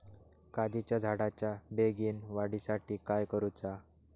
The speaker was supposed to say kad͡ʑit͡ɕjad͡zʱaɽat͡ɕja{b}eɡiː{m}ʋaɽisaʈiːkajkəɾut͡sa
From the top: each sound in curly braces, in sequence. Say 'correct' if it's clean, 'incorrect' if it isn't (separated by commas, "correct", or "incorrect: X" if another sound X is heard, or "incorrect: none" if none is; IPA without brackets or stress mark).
correct, incorrect: n